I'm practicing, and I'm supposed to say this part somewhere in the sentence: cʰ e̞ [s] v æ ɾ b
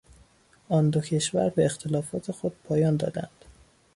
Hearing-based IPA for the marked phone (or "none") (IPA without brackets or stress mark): ʃ